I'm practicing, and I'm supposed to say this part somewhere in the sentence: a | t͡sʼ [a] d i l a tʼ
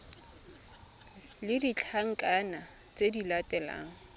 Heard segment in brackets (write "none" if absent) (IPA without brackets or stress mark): e